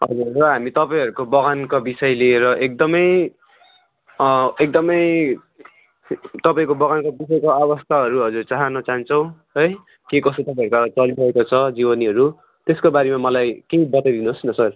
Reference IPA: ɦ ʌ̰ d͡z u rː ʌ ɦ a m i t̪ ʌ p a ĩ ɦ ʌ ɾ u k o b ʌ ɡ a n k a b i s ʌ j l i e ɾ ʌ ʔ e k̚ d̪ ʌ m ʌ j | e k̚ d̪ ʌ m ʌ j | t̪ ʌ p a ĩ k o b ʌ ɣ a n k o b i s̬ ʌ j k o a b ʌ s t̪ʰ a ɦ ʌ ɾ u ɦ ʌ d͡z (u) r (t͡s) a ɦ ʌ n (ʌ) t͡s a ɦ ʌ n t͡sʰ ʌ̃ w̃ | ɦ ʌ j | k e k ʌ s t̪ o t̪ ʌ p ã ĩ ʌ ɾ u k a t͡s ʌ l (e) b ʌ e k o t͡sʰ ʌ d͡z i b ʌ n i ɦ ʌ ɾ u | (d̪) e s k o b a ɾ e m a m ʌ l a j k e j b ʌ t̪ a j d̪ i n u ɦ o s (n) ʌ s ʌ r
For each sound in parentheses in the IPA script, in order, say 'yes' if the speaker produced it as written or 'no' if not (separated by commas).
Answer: yes, yes, yes, no, no, yes